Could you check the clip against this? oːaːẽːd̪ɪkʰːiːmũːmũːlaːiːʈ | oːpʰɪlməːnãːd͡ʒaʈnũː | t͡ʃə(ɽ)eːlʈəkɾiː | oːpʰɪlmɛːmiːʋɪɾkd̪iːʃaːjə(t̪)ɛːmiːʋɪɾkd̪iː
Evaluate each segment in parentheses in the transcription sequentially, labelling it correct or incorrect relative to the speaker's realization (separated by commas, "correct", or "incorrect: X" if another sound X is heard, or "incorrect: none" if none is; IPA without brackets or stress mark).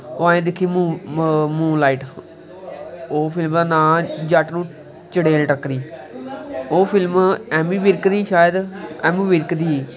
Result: correct, incorrect: d̪